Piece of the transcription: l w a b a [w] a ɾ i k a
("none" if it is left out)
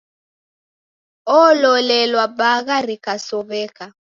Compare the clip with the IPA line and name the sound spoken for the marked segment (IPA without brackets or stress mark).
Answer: ɣ